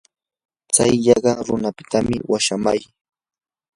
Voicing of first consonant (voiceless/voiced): voiceless